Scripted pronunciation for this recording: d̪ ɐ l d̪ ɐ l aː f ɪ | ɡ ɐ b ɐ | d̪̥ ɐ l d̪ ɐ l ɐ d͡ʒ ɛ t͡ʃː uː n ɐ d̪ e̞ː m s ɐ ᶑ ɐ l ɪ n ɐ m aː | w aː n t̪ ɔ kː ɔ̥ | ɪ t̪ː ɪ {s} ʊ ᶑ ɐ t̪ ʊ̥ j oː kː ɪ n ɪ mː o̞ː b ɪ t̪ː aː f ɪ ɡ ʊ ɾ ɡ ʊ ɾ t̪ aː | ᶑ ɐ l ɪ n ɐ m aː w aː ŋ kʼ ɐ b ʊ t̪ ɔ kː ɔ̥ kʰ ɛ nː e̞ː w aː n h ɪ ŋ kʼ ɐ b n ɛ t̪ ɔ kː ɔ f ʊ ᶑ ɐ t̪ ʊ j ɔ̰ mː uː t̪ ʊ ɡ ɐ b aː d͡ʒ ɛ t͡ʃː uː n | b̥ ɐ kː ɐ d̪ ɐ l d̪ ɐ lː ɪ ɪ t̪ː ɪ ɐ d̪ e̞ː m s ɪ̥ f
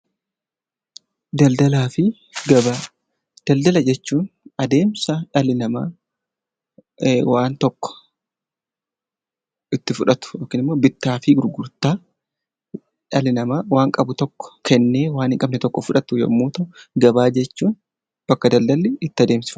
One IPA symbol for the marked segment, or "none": f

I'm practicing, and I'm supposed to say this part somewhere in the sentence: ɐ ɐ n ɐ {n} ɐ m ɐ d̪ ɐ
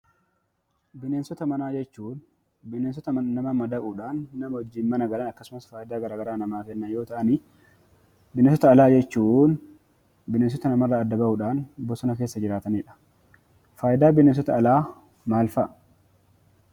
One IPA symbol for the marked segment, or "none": m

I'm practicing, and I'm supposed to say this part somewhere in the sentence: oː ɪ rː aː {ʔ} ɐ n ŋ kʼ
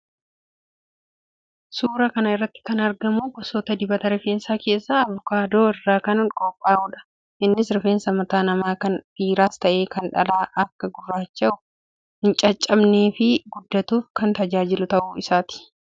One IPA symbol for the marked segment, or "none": k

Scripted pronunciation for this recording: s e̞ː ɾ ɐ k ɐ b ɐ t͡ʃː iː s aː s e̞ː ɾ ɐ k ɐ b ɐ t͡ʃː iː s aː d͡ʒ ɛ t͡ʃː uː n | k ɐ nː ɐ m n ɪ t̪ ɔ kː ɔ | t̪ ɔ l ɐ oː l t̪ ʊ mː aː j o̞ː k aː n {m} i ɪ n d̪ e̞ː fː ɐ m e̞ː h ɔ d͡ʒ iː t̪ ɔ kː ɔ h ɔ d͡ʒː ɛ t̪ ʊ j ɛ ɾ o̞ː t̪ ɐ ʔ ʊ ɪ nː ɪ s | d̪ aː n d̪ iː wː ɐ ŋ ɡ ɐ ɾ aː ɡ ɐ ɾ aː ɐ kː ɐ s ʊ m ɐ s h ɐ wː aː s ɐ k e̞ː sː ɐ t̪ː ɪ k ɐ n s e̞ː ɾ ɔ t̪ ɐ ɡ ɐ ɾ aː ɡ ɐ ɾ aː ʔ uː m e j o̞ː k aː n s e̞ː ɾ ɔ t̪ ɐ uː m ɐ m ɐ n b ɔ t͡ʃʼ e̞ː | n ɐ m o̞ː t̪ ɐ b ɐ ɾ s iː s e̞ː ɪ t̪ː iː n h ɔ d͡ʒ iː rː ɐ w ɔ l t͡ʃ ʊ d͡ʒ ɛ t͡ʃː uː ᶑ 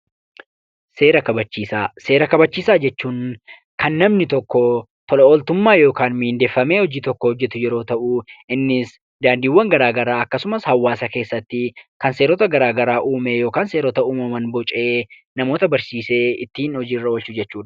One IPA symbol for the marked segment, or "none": m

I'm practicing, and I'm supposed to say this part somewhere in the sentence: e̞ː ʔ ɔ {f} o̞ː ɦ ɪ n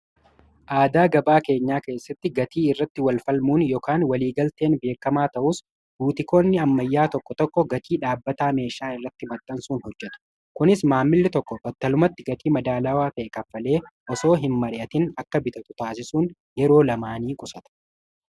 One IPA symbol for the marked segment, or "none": s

